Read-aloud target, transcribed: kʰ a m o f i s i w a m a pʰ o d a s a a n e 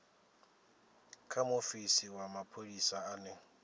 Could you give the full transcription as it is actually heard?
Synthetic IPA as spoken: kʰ a m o f i s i w a m a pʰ o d i s a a n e